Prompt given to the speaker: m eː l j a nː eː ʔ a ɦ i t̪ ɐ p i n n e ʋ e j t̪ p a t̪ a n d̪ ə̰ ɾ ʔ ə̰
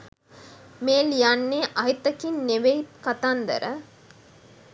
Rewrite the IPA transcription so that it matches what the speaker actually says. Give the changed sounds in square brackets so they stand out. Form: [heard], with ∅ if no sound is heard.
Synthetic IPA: m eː l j a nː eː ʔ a ɦ i t̪ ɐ [k] i n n e ʋ e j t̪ [k] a t̪ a n d̪ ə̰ ɾ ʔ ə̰